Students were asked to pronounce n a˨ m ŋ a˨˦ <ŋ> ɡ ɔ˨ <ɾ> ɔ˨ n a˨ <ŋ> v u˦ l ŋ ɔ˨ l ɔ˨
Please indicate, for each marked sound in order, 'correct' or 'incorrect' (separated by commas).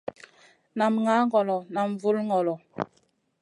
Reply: correct, incorrect, incorrect